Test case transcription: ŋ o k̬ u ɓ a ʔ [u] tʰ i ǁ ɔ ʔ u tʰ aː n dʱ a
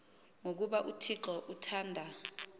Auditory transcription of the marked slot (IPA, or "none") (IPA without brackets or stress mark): u